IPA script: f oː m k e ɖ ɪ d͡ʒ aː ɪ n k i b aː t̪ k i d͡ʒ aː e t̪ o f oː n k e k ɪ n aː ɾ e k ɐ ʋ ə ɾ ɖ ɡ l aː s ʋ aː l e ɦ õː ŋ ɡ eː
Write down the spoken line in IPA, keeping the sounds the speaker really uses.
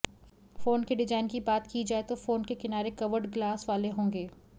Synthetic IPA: f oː n k e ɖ ɪ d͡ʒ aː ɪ n k i b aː t̪ k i d͡ʒ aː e t̪ o f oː n k e k ɪ n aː ɾ e k ɐ ʋ ə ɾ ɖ ɡ l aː s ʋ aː l e ɦ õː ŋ ɡ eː